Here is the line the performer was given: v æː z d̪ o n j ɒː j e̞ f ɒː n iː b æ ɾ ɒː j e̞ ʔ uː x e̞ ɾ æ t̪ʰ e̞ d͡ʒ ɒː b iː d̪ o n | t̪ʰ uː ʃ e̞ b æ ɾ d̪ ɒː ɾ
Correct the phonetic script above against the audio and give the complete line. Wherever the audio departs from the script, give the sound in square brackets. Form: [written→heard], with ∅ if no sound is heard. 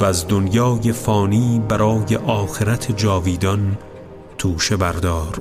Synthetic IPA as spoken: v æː z d̪ o n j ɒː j e̞ f ɒː n iː b æ ɾ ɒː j e̞ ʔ [uː→ɒː] x e̞ ɾ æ t̪ʰ e̞ d͡ʒ ɒː [b→v] iː d̪ [o→ɒ] n | t̪ʰ uː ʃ e̞ b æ ɾ d̪ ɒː ɾ